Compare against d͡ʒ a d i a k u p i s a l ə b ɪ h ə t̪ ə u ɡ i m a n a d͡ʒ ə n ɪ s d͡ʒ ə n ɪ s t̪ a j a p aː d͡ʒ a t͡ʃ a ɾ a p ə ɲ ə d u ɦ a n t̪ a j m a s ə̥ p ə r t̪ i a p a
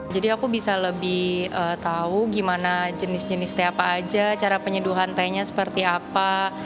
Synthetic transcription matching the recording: d͡ʒ a d i a k u b i s a l ə b ɪ h ə t̪ a u ɡ i m a n a d͡ʒ ə n ɪ s d͡ʒ ə n ɪ s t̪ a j a p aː d͡ʒ a t͡ʃ a ɾ a p ə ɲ ə d u ɦ a n t̪ a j ɲ a s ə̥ p ə r t̪ i a p a